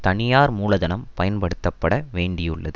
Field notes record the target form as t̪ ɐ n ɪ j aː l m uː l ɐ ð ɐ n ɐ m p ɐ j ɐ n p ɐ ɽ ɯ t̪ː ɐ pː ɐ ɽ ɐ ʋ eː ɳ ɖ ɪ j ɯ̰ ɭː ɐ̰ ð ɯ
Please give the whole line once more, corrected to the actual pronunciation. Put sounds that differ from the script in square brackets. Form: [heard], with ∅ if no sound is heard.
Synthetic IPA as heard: t̪ ɐ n ɪ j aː [ɾ] m uː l ɐ ð ɐ n ɐ m p ɐ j ɐ n p ɐ ɽ ɯ t̪ː ɐ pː ɐ ɽ ɐ ʋ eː ɳ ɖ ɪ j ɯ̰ ɭː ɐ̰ ð ɯ